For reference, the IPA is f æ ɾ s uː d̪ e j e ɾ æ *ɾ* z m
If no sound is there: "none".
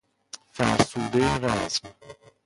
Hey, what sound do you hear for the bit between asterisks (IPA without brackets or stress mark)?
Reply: none